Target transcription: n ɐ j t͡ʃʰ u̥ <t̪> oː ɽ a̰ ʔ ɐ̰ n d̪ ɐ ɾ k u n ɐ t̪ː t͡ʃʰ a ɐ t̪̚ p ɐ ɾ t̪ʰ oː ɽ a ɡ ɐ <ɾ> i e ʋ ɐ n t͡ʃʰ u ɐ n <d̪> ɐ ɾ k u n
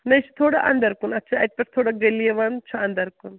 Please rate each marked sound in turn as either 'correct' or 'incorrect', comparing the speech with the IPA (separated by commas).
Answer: incorrect, incorrect, correct